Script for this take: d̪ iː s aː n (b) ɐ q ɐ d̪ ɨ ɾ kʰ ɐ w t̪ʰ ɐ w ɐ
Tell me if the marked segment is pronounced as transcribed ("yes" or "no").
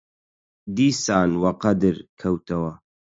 no